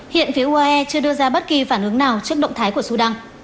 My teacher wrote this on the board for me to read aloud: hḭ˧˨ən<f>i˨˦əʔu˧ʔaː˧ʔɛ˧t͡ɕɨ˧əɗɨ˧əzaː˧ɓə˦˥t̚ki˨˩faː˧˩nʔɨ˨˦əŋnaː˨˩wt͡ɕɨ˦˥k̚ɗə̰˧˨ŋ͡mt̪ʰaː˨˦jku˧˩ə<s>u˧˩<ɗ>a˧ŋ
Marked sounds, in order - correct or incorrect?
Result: correct, correct, correct

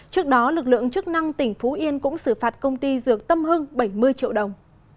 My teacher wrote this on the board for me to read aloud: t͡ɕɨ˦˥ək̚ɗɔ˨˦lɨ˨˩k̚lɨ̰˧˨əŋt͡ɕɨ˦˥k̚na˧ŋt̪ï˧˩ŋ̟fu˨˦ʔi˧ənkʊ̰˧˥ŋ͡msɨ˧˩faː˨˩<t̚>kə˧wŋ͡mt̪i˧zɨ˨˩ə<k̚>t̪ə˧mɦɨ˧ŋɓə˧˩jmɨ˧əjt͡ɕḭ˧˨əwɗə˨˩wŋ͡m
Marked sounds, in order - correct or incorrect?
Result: correct, correct

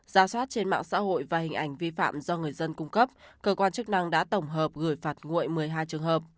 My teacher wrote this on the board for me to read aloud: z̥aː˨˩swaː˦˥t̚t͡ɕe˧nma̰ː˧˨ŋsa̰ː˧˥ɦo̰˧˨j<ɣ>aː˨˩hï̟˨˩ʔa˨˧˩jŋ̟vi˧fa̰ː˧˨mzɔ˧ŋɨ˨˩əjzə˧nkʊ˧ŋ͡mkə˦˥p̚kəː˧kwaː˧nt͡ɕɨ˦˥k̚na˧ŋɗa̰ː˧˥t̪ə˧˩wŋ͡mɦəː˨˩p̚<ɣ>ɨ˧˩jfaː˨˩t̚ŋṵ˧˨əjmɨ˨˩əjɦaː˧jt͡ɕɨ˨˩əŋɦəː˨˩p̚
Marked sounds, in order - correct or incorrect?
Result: incorrect: v, correct

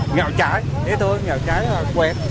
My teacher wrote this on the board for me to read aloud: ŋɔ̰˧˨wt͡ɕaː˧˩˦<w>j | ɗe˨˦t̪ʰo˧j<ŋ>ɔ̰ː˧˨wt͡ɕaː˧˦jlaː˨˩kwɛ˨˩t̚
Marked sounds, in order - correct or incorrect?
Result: incorrect: none, correct

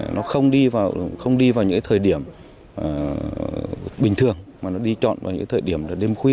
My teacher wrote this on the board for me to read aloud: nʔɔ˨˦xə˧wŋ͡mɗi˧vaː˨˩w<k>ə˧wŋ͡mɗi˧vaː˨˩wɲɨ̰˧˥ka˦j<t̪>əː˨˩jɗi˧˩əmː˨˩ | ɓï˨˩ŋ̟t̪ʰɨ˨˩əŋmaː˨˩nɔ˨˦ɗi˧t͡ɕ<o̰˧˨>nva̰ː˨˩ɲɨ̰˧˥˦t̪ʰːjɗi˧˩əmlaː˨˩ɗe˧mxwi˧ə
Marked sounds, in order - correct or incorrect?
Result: incorrect: x, incorrect: t̪ʰ, incorrect: ɔ̰˧˨

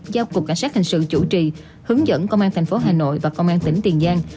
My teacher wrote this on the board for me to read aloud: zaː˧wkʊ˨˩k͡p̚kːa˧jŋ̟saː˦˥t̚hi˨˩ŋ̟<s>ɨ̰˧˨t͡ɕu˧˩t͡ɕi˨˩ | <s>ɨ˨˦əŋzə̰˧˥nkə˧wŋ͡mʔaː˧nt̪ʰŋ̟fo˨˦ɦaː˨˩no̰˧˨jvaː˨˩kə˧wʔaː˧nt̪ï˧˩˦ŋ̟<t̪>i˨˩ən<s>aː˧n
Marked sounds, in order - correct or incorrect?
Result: correct, incorrect: h, correct, incorrect: z

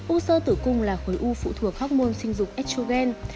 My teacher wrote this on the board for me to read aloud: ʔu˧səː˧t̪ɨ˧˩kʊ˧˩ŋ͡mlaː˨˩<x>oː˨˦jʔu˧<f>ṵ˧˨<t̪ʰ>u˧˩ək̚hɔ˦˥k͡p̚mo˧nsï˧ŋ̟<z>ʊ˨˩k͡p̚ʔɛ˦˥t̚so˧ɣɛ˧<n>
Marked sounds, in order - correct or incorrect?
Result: correct, correct, correct, correct, correct

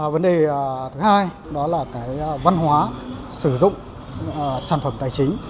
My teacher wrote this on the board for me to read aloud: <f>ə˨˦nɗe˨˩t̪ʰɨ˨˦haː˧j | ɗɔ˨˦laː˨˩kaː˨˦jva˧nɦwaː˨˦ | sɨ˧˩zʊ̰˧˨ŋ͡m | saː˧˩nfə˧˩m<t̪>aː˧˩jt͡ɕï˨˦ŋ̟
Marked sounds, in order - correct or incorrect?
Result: incorrect: v, correct

